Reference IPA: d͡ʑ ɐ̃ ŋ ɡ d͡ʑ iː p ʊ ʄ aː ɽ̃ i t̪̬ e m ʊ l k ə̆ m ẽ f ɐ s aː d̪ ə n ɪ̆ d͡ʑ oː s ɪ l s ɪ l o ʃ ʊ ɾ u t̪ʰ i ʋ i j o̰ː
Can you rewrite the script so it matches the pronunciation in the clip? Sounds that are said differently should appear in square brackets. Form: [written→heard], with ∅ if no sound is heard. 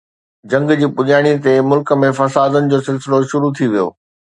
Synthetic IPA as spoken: d͡ʑ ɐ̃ ŋ ɡ d͡ʑ iː p ʊ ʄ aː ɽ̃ i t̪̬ e m ʊ l k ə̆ m ẽ f ɐ s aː d̪ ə n ɪ̆ d͡ʑ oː s ɪ l s ɪ l o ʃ ʊ ɾ u t̪ʰ i ʋ i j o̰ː